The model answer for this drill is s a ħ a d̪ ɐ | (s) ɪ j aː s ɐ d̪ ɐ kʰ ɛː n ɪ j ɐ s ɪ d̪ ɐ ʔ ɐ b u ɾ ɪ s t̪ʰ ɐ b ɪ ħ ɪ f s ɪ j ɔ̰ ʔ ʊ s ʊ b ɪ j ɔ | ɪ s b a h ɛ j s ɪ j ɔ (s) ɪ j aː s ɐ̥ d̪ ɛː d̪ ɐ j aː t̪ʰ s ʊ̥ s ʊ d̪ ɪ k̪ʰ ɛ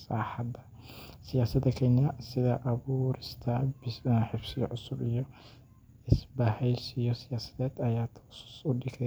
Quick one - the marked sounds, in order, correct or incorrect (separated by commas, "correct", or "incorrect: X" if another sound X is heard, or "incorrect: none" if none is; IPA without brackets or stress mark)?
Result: correct, correct